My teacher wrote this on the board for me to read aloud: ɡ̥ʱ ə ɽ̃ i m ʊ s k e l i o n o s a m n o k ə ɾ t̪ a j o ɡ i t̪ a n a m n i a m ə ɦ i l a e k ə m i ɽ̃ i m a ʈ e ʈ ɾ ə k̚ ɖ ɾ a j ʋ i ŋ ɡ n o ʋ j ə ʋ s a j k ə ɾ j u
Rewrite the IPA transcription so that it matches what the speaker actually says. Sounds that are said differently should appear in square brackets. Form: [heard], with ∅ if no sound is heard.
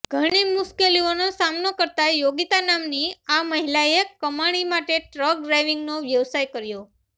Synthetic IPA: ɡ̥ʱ ə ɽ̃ i m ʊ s k e l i o n o s a m n o k ə ɾ t̪ a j o ɡ i t̪ a n a m n i a m ə ɦ i l a e k ə m [a] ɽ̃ i m a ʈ e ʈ ɾ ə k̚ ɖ ɾ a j ʋ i ŋ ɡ n o ʋ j ə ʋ s a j k ə ɾ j [o]